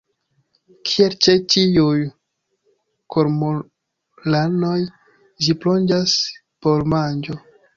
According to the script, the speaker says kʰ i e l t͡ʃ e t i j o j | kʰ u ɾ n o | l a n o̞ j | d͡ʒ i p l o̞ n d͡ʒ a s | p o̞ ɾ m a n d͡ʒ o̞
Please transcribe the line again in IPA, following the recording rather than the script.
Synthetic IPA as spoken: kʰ i e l t͡ʃ e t i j u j | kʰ o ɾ m o | l a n o̞ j | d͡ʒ i p l o̞ n d͡ʒ a s | p o̞ ɾ m a n d͡ʒ o̞